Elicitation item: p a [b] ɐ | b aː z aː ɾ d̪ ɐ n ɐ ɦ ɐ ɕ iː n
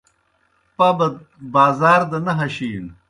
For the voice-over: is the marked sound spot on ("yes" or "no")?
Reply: yes